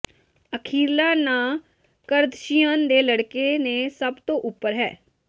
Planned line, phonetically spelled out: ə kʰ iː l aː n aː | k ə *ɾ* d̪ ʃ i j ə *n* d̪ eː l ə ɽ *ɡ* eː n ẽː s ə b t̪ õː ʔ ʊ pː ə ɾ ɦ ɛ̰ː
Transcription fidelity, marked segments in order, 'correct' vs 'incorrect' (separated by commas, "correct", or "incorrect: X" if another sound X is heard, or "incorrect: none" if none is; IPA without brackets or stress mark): correct, correct, incorrect: k